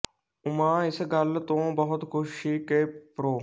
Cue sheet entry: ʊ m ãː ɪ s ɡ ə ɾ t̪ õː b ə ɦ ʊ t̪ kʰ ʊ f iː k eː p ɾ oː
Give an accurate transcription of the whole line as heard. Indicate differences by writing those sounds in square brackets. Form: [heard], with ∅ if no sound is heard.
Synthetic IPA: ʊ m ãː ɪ s ɡ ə [l] t̪ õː b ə ɦ ʊ t̪ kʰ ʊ [ʃ] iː k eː p ɾ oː